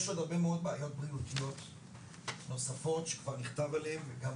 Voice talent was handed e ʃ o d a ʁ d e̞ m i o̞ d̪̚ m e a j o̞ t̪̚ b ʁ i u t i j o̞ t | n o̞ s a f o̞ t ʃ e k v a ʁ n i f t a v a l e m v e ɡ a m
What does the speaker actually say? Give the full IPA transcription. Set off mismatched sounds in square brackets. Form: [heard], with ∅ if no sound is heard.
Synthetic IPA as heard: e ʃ o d a ʁ [b] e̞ m [e] o̞ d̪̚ [b] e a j o̞ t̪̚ b ʁ i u t i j o̞ t | n o̞ s a f o̞ t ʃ e k v a ʁ n i [χ] t a v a l e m v e ɡ a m